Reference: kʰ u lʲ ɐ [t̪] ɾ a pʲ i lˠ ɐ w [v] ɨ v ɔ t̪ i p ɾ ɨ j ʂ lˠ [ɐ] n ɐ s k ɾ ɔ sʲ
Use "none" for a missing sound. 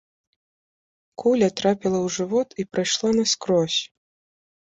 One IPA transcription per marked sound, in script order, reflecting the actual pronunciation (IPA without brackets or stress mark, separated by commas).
t̪, ʐ, a